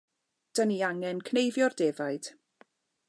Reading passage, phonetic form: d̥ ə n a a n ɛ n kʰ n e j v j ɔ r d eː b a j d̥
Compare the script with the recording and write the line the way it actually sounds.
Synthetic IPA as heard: d̥ ə n i a ŋ ɛ n kʰ n e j v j ɔ r d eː v a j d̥